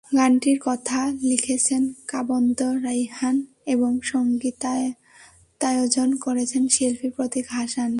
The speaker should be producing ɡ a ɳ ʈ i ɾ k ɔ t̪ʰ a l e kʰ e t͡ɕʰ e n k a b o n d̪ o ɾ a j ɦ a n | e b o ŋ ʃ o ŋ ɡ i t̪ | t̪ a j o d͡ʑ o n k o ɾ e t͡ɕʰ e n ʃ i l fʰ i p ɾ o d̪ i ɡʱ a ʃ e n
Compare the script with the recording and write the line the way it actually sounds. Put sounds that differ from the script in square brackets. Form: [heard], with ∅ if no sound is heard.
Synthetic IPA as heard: ɡ a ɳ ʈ i ɾ k ɔ t̪ʰ a l [i] kʰ e t͡ɕʰ e n k a b o n d̪ o ɾ a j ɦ a n | e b o ŋ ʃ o ŋ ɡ i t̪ | t̪ a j o d͡ʑ o n k o ɾ e t͡ɕʰ e n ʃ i l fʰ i p ɾ o [t̪] i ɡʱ a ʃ [a] n